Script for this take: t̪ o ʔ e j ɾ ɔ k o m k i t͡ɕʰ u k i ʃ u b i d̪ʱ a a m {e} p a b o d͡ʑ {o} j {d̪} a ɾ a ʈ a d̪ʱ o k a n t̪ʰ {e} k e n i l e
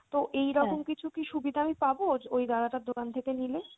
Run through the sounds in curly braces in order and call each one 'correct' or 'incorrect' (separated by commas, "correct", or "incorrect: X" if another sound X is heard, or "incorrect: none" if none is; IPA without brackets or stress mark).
incorrect: i, correct, correct, correct